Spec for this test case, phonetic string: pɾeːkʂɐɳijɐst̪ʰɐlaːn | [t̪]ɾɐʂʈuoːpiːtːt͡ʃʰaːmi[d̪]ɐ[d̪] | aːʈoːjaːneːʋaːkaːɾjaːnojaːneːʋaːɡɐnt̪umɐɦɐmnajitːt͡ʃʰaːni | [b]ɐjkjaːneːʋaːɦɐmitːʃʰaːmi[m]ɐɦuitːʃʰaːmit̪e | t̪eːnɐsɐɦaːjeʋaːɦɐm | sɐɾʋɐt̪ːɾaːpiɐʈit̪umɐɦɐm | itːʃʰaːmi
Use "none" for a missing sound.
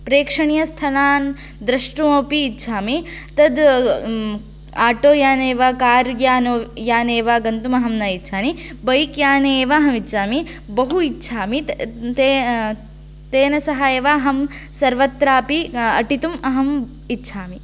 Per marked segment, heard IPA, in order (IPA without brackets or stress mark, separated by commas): d̪, t̪, d̪, b, b